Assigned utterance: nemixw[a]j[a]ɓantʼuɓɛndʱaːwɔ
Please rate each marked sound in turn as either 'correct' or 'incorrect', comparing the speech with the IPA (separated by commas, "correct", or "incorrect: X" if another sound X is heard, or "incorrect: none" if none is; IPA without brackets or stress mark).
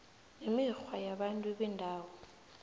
correct, correct